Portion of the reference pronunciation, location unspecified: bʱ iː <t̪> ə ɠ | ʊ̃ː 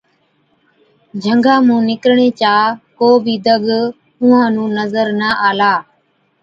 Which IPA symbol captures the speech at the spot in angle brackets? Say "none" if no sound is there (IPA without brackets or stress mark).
d̪